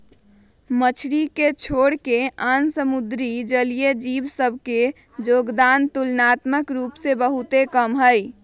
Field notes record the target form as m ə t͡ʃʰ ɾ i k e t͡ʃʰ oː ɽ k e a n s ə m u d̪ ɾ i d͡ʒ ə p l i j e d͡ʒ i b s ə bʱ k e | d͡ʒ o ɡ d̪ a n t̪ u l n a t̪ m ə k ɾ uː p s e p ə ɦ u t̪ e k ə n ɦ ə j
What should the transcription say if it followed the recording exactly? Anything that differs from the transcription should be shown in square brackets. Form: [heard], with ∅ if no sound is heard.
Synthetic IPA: m ə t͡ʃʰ ɾ i k e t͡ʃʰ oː ɽ k e a n s ə m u d̪ ɾ i d͡ʒ ə [∅] l i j e d͡ʒ i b s ə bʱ k e | d͡ʒ o ɡ d̪ a n t̪ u l n a t̪ m ə k ɾ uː p s e [b] ə ɦ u t̪ e k ə [m] ɦ ə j